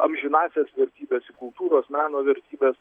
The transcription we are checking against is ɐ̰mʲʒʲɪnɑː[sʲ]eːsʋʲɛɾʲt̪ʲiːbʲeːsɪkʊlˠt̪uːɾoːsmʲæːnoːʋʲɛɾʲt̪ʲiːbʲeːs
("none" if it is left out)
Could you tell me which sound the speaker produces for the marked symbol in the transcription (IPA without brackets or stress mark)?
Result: sʲ